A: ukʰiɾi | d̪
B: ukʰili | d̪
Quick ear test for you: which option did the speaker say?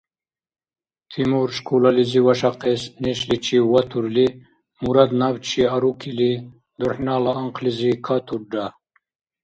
B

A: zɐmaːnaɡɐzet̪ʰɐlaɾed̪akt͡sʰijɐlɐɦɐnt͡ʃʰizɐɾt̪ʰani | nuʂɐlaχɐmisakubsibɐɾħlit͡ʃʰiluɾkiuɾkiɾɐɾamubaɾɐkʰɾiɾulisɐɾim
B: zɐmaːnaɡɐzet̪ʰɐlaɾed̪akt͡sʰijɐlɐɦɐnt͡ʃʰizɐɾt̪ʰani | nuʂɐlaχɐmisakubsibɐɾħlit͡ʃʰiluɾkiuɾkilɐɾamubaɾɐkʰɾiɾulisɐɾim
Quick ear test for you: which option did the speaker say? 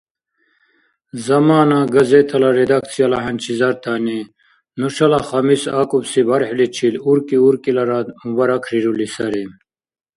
B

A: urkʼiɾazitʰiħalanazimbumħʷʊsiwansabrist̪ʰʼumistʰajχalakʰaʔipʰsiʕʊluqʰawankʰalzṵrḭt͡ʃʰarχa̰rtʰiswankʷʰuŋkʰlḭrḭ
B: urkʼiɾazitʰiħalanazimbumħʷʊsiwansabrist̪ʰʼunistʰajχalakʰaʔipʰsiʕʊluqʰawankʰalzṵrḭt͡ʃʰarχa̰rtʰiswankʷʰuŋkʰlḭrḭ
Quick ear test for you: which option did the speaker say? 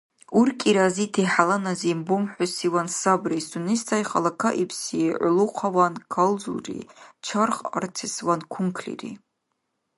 B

